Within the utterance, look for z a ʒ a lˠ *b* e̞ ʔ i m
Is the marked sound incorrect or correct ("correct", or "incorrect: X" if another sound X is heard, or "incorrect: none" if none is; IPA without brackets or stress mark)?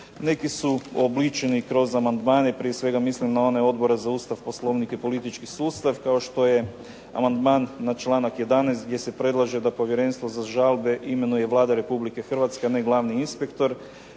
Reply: correct